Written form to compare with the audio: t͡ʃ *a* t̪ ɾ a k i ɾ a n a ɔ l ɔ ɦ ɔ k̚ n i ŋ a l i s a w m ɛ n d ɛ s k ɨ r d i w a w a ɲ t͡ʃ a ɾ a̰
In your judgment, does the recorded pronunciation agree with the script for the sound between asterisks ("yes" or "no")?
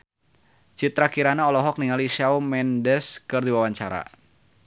no